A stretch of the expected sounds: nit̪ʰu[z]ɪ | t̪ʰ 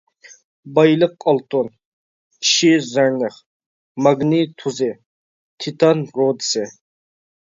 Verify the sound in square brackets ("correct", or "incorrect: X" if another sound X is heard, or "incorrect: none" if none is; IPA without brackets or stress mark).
correct